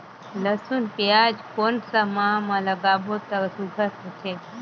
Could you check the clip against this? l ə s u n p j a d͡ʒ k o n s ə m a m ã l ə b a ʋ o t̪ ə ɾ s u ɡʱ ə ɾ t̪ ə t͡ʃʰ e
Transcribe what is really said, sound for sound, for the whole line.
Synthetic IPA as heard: l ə s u n p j a d͡ʒ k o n s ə m a m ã l ə ɡ a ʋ o t̪ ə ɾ s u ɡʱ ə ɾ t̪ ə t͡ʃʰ e